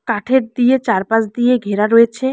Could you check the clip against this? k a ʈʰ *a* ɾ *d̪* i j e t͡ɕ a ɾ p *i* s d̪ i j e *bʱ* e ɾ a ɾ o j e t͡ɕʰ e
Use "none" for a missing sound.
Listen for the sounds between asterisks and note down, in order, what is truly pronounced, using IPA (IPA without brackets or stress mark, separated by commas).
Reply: e, d̪, a, ɡʱ